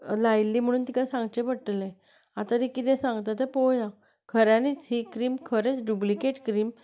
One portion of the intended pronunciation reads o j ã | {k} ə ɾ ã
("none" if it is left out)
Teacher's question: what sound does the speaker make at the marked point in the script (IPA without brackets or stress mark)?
kʰ